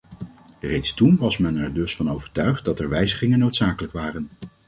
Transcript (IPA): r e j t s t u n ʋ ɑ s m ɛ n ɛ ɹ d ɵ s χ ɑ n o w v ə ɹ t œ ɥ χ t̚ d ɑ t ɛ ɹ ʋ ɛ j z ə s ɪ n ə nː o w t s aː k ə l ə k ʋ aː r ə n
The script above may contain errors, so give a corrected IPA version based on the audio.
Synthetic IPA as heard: r e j t s t u n ʋ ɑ s m ɛ n ɛ ɹ d ɵ s f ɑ n o w v ə ɹ t œ ɥ χ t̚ d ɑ t ɛ ɹ ʋ ɛ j z ə χ ɪ ŋ ə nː o w t s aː k ə l ə k ʋ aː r ə n